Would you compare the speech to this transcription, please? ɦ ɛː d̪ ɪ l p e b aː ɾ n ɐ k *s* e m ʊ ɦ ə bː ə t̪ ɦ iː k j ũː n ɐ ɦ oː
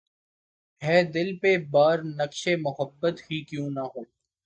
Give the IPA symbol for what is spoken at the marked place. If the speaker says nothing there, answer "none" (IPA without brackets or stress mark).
ʃ